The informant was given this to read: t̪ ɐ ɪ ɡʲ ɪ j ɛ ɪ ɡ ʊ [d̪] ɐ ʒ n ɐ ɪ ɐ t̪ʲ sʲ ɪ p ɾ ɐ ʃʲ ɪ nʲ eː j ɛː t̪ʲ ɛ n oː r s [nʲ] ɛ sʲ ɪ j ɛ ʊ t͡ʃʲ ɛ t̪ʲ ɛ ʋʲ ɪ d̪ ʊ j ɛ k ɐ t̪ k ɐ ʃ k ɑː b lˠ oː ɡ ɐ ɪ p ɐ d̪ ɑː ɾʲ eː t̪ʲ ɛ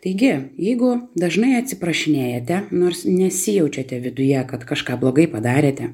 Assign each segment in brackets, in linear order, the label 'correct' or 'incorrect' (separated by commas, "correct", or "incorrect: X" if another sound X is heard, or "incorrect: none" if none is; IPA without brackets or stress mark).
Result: correct, correct